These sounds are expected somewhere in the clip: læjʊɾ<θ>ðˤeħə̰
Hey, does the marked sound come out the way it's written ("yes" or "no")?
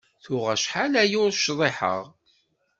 no